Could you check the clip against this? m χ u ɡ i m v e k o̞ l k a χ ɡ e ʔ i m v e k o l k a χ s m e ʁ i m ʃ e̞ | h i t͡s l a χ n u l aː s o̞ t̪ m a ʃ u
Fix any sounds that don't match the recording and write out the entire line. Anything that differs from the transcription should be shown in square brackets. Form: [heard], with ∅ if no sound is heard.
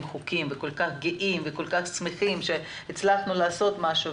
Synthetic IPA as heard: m χ u [k] i m v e k o̞ l k a χ ɡ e ʔ i m v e k o l k a χ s m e [χ] i m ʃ e̞ | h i t͡s l a χ n u l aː s o̞ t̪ m a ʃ u

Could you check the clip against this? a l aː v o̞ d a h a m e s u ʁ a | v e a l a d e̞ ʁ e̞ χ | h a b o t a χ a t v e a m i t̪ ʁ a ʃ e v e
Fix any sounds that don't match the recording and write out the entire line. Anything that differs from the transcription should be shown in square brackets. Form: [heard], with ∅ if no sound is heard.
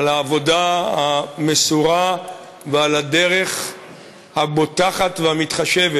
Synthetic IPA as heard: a l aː v o̞ d a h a m e s u ʁ a | v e a l a d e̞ ʁ e̞ χ | h a b o t a χ a t v e a m i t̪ [χ] a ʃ e v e

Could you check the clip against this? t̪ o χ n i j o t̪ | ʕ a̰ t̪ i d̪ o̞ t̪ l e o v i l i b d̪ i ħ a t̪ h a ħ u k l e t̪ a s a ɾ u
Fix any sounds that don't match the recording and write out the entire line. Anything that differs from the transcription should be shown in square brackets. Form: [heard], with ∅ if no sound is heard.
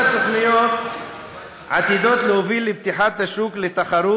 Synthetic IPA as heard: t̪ o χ n i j o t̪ | ʕ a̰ t̪ i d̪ o̞ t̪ l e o v i l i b [t̪] i ħ a t̪ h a [ʃ] u k l e t̪ a [χ] a ɾ u

